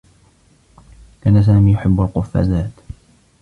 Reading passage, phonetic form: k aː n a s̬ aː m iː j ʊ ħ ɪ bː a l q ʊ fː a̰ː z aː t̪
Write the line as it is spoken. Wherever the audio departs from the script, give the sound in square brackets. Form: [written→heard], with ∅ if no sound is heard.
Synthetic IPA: k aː n a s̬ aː m iː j ʊ ħ ɪ bː a l q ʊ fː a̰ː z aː t̪